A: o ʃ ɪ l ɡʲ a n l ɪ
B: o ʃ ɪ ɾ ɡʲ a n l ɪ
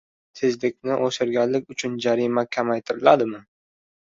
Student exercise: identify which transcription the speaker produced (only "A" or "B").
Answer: B